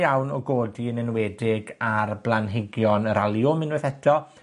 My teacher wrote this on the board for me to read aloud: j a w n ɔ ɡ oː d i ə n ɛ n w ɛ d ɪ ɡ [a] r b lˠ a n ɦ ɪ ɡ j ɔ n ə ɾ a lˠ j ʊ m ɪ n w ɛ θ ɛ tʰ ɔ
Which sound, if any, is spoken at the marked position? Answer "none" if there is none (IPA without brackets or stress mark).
a